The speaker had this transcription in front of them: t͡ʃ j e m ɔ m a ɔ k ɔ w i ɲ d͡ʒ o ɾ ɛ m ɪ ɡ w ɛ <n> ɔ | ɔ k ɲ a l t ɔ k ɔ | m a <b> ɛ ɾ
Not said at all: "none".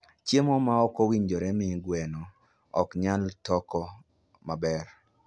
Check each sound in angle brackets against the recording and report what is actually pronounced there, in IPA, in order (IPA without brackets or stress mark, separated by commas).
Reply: n, b